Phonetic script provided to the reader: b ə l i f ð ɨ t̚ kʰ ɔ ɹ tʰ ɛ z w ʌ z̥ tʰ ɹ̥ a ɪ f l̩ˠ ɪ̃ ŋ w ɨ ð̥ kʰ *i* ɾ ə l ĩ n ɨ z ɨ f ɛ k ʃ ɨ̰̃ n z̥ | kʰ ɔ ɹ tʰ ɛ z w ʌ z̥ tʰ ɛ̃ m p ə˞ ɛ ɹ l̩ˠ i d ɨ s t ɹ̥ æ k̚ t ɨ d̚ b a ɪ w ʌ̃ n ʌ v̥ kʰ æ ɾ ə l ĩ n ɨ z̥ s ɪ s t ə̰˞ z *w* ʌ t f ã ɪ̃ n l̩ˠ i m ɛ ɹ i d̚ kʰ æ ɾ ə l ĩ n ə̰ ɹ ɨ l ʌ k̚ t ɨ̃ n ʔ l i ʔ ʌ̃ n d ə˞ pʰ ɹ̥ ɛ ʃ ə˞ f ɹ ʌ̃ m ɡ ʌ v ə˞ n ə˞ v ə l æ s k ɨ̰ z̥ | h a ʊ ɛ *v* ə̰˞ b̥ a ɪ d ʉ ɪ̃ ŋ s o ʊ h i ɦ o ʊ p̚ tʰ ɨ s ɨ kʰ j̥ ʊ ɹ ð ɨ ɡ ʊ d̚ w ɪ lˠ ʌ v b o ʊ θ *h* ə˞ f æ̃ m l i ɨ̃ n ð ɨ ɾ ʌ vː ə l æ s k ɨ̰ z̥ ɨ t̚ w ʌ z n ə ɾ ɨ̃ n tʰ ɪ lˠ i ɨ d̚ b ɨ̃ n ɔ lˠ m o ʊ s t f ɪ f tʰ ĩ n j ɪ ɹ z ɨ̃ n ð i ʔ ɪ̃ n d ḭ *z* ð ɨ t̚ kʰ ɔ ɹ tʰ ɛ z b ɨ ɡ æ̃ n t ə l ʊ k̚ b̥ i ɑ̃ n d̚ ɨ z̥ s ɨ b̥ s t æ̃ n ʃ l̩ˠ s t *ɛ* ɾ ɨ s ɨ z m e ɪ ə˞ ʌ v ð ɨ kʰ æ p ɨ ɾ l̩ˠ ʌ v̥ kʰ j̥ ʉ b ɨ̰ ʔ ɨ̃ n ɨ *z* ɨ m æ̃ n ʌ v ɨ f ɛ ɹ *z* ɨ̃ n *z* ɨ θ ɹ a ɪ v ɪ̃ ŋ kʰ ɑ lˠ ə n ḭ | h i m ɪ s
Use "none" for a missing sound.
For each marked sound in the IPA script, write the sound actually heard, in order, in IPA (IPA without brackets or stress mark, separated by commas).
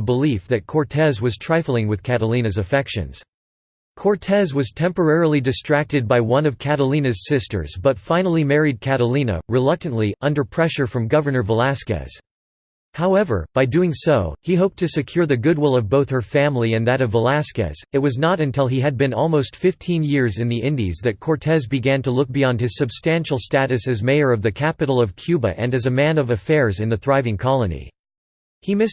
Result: æ, b, v, h, z, æ, z, z, ð